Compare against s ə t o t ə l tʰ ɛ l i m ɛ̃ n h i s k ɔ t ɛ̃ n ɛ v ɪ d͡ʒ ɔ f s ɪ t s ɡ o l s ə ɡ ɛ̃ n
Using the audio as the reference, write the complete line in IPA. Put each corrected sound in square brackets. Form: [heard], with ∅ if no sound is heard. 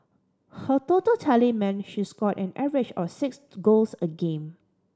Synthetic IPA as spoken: [h] ə t o t ə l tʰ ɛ l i m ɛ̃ n [ʃ] i s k ɔ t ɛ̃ n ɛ v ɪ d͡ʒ ɔ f s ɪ [k] s ɡ o l s ə ɡ [ẽ] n